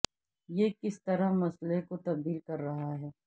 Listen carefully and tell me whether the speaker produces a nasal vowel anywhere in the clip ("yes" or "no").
no